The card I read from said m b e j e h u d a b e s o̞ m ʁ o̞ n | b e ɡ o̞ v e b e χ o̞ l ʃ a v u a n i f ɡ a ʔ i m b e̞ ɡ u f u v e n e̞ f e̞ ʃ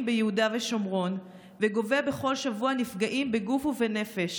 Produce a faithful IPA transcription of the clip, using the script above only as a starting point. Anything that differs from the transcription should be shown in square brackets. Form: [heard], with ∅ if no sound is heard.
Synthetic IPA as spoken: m b e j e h u d a [v] e [ʃ] o̞ m ʁ o̞ n | [v] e ɡ o̞ v e b e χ o̞ l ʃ a v u a n i f ɡ a ʔ i m b e̞ ɡ u f u v e n e̞ f e̞ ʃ